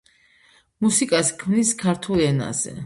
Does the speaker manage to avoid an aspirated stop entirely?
no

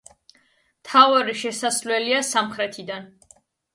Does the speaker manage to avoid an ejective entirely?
yes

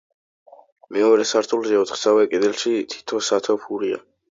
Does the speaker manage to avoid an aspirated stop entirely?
no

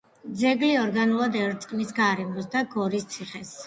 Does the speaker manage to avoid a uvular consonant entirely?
no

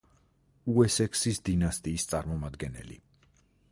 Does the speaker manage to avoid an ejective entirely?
no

